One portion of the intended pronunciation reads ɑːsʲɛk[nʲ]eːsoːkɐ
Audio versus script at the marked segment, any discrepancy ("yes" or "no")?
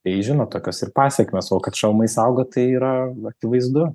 yes